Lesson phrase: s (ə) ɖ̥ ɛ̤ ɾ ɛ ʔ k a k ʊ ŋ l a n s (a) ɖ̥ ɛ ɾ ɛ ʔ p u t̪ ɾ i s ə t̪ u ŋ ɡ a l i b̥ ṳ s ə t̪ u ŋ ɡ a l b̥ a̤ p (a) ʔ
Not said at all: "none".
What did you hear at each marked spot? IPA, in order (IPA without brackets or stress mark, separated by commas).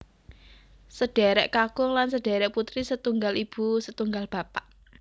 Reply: ə, ə, a